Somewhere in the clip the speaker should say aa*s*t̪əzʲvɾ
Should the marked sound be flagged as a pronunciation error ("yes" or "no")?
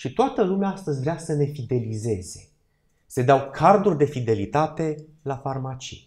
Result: no